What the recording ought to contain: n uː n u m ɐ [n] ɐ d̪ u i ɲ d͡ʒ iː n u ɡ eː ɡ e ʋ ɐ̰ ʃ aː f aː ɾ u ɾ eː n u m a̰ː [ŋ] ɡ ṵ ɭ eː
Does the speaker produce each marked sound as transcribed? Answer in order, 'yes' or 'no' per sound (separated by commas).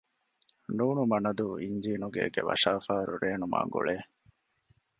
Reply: yes, yes